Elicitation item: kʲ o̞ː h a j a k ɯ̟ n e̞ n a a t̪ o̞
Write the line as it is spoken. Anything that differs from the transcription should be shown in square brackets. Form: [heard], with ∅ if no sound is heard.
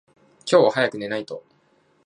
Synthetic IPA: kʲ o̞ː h a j a k ɯ̟ n e̞ n a [i] t̪ o̞